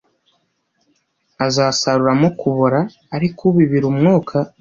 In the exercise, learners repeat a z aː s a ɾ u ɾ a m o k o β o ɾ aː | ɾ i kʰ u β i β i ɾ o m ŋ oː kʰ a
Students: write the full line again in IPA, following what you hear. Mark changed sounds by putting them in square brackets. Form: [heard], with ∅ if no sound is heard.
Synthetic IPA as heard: a z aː s a ɾ u ɾ a m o k [u] β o ɾ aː | ɾ i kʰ u β i β i ɾ [u] m ŋ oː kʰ a